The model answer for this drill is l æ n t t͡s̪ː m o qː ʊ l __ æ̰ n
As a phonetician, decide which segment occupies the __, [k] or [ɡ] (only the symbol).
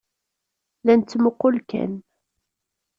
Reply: k